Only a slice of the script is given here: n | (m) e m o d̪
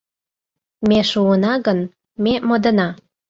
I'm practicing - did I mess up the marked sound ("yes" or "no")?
no